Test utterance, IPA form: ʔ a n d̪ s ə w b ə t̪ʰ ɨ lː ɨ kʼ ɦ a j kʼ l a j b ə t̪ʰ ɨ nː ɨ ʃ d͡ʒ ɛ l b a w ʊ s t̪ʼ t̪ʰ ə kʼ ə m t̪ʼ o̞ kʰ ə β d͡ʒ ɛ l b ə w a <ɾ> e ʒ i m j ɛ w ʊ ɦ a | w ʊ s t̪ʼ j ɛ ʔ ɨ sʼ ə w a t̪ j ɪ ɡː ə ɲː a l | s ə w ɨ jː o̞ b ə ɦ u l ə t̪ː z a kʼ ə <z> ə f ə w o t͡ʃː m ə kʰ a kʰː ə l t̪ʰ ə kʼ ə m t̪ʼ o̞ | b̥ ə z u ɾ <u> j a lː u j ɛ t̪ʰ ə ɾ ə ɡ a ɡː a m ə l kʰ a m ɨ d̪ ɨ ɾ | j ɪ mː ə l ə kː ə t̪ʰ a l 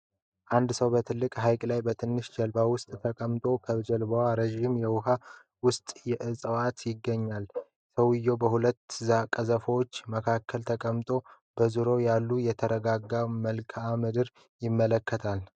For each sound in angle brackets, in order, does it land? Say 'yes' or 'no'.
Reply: yes, yes, no

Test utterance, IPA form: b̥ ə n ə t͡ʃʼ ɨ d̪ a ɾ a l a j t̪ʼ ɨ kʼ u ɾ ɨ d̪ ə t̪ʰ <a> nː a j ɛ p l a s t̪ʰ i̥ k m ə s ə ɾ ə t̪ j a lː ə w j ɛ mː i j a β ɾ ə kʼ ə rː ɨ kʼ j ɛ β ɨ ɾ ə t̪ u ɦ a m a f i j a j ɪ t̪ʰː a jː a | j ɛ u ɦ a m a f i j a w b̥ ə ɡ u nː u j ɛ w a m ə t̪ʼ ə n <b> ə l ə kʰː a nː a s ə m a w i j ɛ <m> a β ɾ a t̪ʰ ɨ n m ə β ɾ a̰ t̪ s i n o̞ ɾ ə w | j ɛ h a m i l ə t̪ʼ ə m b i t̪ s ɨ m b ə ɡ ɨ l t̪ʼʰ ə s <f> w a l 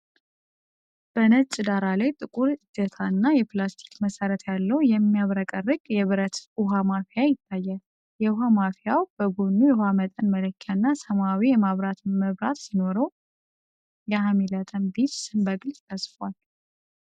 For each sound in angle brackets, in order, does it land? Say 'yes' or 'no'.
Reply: yes, no, yes, yes

